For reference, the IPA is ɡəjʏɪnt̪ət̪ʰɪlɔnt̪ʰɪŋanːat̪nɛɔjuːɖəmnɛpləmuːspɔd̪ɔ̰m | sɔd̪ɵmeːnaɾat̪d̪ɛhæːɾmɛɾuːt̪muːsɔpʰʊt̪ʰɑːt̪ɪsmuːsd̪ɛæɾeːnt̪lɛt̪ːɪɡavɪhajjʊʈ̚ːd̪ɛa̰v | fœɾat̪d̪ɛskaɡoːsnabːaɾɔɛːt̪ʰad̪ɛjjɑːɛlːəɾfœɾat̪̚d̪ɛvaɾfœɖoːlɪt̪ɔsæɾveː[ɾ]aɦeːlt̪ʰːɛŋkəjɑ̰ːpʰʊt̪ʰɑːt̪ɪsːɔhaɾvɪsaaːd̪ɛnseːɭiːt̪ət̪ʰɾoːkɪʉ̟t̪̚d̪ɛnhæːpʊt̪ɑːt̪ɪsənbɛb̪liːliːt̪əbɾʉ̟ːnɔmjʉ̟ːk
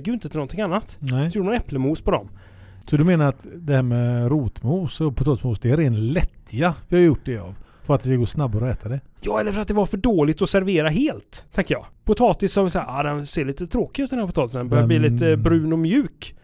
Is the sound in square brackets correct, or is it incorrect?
correct